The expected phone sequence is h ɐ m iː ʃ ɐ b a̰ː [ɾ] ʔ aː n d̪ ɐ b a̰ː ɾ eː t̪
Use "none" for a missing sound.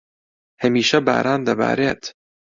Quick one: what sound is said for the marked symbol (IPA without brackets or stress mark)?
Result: ɾ